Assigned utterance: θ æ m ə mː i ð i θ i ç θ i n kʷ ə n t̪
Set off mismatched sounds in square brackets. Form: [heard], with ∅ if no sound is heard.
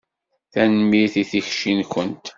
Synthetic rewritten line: θ æ [n] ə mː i [θ] i θ i ç [ʃ] i n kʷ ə n t̪